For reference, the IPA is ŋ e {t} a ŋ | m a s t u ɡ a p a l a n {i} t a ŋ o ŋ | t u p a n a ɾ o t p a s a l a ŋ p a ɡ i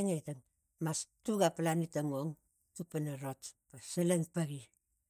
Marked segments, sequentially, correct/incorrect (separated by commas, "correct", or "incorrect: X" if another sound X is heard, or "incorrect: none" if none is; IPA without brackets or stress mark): correct, correct